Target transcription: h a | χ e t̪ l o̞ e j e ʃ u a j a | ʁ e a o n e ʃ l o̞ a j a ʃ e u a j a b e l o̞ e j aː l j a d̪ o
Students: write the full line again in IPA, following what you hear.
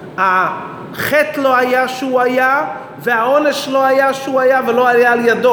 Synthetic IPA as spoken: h a | χ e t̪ l o̞ a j a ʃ u a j a | v e a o n e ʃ l o̞ a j a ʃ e u a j a v e l o̞ a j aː l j a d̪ o